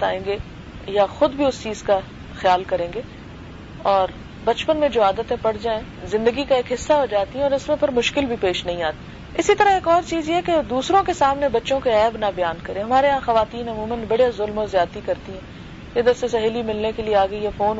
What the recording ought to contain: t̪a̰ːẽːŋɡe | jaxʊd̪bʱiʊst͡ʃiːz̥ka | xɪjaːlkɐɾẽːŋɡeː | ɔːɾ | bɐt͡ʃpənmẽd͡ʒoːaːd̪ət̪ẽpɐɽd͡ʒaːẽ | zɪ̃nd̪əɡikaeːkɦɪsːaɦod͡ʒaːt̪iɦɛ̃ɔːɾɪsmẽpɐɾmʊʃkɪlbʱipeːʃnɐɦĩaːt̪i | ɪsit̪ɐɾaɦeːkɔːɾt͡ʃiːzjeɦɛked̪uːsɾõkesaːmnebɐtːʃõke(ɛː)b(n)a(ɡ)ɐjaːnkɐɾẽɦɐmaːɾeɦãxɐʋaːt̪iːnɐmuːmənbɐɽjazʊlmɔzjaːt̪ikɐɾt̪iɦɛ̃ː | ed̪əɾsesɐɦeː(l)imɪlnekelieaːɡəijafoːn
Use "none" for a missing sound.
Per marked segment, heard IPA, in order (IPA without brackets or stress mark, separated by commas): ɛː, n, b, l